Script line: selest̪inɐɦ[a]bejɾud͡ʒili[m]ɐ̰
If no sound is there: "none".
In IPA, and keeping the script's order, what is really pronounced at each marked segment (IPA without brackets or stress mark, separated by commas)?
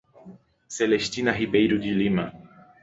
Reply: i, m